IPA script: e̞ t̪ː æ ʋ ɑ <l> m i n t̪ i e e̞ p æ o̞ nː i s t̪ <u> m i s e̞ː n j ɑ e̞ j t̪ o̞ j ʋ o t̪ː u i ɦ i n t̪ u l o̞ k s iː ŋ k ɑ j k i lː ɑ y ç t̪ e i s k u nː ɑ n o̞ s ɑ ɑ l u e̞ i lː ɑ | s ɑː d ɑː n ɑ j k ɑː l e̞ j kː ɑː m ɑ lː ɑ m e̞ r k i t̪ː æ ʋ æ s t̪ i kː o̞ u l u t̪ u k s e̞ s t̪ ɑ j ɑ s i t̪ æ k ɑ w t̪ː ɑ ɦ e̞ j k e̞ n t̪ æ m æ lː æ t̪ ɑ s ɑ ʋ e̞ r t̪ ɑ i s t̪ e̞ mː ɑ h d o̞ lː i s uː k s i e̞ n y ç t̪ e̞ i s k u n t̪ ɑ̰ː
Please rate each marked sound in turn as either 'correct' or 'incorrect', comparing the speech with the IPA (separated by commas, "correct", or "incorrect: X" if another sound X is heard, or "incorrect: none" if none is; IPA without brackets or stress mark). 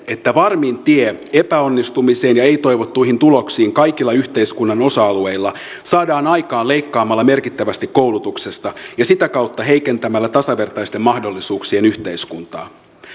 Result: incorrect: r, correct